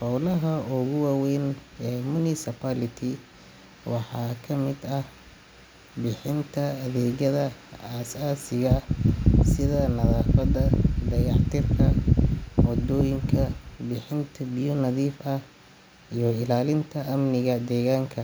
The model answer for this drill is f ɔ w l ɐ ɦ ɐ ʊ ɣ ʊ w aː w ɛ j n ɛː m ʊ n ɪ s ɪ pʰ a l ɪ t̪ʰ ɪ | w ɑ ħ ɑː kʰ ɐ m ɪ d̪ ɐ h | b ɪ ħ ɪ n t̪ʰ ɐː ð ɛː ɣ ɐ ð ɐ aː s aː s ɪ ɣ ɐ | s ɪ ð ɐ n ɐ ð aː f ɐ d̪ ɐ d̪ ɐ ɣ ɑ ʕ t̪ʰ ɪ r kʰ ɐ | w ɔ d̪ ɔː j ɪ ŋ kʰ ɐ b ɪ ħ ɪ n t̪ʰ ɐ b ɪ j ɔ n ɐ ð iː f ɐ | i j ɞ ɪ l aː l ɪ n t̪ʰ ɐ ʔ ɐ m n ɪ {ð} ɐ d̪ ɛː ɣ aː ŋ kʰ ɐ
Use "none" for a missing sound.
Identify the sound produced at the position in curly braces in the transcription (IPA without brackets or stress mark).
ɣ